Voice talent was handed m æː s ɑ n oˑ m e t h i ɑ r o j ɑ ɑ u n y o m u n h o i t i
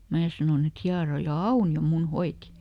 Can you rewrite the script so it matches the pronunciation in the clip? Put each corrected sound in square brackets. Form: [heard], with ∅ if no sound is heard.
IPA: m æː s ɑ n oˑ [n] e t h i ɑ r o j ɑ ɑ u n [i] o m u n h o i t i